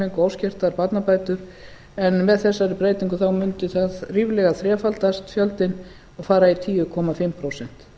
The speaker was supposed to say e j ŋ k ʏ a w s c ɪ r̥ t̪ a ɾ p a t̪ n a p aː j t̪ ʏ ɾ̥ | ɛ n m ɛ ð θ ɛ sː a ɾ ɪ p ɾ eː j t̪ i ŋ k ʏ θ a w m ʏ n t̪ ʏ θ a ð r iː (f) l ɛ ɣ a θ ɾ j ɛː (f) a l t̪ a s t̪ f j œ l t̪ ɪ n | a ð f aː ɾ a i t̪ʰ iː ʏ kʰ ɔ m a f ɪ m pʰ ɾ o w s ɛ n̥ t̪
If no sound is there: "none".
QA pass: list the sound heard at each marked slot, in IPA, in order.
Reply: v, f

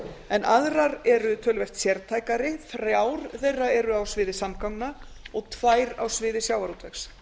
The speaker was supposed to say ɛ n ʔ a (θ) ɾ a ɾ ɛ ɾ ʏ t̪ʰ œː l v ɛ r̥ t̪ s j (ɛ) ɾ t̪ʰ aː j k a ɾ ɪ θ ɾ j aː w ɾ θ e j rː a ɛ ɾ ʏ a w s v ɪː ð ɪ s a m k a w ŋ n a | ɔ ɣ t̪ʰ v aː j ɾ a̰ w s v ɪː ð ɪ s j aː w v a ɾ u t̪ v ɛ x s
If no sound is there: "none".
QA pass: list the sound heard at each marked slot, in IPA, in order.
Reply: ð, ɛ

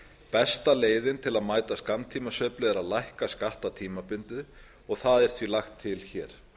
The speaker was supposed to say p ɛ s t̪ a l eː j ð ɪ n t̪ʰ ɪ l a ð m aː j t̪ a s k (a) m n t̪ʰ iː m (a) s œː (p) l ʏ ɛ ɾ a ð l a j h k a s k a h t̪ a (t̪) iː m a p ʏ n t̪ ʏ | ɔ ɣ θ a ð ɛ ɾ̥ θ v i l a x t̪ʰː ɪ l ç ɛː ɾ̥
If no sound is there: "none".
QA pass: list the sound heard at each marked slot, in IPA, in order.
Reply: a, a, p, t̪ʰ

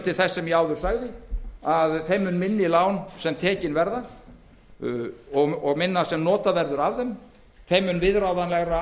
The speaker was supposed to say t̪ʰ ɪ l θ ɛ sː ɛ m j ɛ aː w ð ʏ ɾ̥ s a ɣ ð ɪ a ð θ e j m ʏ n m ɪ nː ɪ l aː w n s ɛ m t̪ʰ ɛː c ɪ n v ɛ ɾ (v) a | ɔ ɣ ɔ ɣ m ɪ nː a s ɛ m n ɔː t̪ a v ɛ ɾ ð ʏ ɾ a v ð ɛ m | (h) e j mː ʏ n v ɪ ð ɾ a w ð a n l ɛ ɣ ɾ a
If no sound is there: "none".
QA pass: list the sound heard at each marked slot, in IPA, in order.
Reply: ð, θ

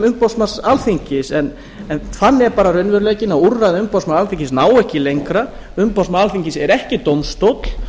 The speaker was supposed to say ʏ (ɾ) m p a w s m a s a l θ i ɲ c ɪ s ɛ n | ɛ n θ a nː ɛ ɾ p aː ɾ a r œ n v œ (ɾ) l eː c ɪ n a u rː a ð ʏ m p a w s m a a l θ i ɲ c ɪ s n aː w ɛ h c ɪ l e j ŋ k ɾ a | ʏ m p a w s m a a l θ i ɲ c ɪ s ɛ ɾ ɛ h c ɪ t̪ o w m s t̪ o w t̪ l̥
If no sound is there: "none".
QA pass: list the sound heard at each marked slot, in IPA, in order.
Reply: none, ɾ

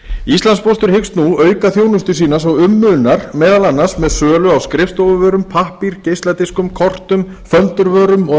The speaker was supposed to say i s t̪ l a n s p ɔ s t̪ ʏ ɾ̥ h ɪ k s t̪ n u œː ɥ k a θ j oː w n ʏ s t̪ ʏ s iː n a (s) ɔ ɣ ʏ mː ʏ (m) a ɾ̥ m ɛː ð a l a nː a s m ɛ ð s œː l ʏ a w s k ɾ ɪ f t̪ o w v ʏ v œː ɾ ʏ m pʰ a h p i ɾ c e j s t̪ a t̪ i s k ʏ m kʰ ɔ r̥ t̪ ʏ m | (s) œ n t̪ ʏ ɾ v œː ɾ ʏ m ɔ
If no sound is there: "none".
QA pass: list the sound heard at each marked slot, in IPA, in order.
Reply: s, n, f

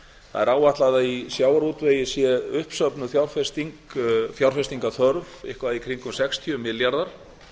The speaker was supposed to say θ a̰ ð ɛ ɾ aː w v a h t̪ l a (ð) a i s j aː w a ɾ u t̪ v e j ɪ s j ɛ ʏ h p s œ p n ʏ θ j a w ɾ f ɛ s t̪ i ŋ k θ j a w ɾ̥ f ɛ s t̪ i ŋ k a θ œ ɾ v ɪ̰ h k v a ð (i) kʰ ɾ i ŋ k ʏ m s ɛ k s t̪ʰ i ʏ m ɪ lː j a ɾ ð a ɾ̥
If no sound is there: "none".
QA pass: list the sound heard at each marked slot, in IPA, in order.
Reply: ð, i

